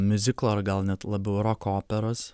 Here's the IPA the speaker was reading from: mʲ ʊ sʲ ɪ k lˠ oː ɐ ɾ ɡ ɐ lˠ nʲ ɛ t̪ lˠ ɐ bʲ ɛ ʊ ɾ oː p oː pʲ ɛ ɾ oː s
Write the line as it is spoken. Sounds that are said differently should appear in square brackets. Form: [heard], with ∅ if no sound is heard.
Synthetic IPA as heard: mʲ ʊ [zʲ] ɪ k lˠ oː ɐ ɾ ɡ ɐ lˠ nʲ ɛ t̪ lˠ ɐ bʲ ɛ ʊ ɾ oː [k] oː pʲ ɛ ɾ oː s